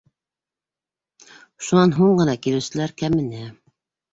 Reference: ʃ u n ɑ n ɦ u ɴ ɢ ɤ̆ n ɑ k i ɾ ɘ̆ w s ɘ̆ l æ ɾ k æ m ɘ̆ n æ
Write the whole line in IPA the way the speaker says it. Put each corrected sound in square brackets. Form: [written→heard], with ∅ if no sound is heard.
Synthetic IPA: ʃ u n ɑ n ɦ u ɴ ɢ ɤ̆ n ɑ k i [ɾ→l] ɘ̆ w s ɘ̆ l æ ɾ k æ m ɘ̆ n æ